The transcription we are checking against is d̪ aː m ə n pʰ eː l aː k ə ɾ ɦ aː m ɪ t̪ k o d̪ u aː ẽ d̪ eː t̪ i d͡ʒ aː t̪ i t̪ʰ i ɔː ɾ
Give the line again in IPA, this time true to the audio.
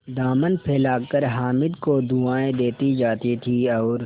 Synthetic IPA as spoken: d̪ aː m ə n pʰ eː l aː k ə ɾ ɦ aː m ɪ d̪ k o d̪ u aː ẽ d̪ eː t̪ i d͡ʒ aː t̪ i t̪ʰ i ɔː ɾ

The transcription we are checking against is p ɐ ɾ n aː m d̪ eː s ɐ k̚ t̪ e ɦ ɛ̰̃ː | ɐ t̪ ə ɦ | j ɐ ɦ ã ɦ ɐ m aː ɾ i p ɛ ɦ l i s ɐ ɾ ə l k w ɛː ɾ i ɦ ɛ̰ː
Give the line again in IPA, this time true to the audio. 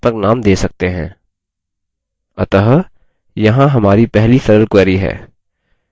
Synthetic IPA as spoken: p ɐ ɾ n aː m d̪ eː s ɐ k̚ t̪ e ɦ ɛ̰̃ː | ɐ t̪ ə ɦ | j ɐ ɦ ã ɦ ɐ m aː ɾ i p ɛ ɦ l i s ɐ ɾ ə l k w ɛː ɾ i ɦ ɛ̰ː

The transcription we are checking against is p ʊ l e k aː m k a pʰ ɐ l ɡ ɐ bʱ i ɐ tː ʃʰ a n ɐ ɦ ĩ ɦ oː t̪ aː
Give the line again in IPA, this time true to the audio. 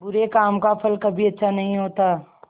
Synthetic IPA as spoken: b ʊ ɾ e k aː m k a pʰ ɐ l k ɐ bʱ i ɐ tː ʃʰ a n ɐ ɦ ĩ ɦ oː t̪ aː

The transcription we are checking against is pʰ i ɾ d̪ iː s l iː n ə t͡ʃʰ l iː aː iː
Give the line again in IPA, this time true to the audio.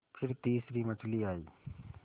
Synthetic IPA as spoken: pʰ ɪ ɾ t̪ iː s ɾ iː m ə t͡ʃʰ l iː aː iː

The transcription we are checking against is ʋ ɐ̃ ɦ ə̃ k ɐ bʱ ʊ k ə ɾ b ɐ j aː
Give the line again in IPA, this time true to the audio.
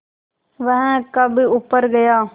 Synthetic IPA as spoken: ʋ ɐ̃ ɦ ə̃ k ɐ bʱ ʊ p ə ɾ ɡ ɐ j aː

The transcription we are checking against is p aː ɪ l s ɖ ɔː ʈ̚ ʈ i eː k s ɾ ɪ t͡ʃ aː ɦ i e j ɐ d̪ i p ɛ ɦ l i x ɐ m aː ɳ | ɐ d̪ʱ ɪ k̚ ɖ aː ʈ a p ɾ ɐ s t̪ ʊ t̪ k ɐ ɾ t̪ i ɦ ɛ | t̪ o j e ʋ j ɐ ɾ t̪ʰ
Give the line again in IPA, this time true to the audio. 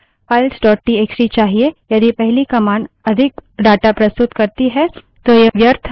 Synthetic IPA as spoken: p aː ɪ l s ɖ ɔː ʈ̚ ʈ i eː k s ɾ i t͡ʃ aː ɦ i e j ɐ d̪ i p ɛ ɦ l i k ɐ m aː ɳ | ɐ d̪ʱ ɪ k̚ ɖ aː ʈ a p ɾ ɐ s t̪ ʊ t̪ k ɐ ɾ t̪ i ɦ ɛ | t̪ o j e ʋ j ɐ ɾ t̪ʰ

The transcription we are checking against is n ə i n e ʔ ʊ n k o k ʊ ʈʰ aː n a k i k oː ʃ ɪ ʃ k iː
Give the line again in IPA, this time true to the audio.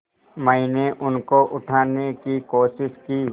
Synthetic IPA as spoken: m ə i n e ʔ ʊ n k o ʔ ʊ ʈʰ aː n e k i k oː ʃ ɪ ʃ k iː

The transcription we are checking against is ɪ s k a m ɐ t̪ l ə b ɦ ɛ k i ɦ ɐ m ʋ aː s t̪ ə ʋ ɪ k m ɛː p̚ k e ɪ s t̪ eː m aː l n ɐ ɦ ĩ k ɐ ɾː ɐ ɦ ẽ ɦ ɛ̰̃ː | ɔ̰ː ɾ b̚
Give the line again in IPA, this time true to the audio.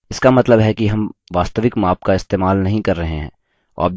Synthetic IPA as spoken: ɪ s k a m ɐ t̪ l ə b ɦ ɛ k i ɦ ɐ m ʋ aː s t̪ ə ʋ ɪ k m aː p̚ k a ɪ s t̪ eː m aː l n ɐ ɦ ĩ k ɐ ɾː ɐ ɦ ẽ ɦ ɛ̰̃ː | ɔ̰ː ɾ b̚

